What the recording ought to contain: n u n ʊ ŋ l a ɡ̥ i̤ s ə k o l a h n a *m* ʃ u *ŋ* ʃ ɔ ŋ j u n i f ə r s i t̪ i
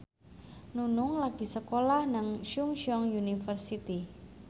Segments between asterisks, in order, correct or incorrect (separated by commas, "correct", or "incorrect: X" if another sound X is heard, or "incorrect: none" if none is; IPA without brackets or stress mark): incorrect: ŋ, correct